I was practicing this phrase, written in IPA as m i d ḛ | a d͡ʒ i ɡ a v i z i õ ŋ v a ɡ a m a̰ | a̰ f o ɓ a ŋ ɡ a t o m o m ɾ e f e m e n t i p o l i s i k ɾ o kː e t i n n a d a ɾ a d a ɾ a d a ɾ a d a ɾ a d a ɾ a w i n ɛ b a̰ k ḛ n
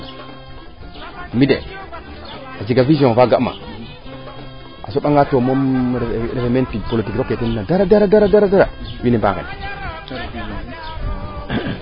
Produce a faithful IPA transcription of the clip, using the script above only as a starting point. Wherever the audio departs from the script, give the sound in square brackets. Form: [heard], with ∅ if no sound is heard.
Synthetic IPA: m i d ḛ | a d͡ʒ i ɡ a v i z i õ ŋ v a ɡ a m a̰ | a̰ [s] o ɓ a ŋ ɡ a t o m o m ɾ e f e m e n t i p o l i [t] i k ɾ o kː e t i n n a d a ɾ a d a ɾ a d a ɾ a d a ɾ a d a ɾ a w i n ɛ b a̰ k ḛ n